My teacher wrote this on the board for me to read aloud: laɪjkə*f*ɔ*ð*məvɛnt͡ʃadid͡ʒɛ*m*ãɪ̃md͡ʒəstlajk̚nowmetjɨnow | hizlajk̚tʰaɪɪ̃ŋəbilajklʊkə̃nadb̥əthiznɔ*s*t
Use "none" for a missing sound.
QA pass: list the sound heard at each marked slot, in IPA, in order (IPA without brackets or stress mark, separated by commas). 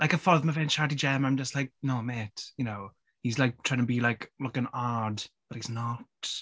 f, ð, m, none